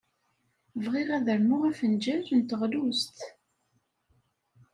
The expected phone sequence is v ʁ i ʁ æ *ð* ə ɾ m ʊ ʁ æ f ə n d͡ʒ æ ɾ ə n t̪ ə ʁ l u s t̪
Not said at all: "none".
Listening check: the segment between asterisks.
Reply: ð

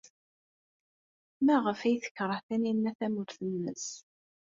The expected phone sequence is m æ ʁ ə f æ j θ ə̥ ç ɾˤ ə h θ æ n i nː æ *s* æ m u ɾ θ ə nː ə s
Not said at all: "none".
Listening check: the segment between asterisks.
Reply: θ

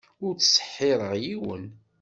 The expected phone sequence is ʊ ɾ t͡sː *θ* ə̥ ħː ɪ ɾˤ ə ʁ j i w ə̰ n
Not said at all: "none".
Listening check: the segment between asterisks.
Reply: s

